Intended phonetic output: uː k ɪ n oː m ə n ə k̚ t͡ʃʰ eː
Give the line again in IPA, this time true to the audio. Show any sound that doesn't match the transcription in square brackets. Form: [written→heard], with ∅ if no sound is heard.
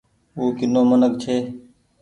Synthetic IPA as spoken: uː k ɪ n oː m ə n ə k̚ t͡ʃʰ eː